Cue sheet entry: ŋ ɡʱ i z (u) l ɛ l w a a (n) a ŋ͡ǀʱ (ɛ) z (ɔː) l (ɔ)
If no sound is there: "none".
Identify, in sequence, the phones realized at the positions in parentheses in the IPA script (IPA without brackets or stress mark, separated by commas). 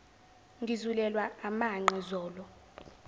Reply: u, m, ɛ, ɔː, ɔ